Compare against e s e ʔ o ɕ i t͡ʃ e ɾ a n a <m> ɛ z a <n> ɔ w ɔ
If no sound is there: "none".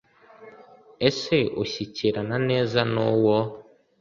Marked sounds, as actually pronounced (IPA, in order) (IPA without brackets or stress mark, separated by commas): n, n